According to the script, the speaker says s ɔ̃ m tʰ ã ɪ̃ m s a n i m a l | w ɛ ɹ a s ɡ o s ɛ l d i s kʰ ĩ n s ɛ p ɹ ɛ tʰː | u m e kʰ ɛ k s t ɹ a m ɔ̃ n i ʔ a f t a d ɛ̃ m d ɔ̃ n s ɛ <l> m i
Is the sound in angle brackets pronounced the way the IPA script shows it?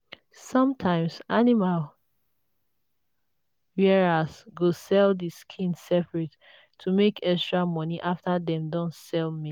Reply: yes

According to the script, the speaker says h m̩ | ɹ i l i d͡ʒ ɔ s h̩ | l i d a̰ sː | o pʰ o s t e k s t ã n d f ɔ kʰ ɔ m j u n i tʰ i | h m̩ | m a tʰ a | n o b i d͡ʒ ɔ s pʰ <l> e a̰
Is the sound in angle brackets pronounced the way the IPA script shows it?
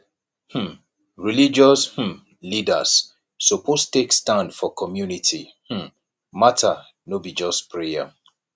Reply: no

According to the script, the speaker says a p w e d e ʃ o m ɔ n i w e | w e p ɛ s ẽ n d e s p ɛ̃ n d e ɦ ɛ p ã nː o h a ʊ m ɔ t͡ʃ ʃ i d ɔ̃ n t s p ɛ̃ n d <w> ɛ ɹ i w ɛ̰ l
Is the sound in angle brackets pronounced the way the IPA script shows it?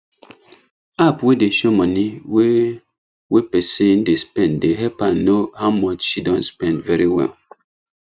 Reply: no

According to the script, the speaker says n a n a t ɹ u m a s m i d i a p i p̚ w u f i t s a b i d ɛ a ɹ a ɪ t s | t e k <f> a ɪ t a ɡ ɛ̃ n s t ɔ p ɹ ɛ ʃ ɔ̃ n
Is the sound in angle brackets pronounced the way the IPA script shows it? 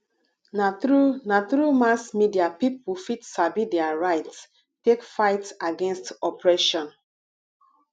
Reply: yes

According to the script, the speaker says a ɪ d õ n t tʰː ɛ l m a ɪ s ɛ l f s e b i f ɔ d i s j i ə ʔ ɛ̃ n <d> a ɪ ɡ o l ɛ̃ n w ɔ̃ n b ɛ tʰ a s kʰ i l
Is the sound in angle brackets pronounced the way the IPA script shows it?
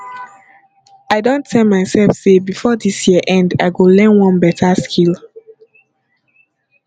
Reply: yes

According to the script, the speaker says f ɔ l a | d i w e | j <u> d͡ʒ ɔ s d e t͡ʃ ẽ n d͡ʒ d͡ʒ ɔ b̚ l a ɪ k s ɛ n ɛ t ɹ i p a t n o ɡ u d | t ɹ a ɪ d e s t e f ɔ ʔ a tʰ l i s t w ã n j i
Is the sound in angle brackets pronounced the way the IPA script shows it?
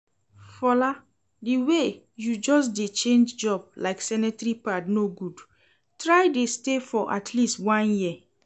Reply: yes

